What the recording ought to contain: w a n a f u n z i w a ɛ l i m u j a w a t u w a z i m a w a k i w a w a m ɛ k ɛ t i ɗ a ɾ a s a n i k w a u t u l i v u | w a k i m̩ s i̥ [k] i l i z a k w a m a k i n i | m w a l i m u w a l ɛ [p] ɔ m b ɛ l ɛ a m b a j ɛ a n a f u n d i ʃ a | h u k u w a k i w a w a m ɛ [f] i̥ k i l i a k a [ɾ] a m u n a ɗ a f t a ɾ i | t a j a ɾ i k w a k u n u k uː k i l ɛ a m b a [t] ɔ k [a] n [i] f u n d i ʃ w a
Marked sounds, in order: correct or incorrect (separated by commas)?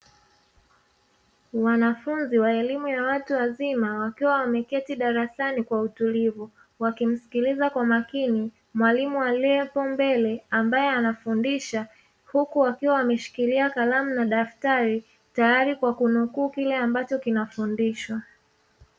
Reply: correct, correct, incorrect, incorrect, incorrect, incorrect, incorrect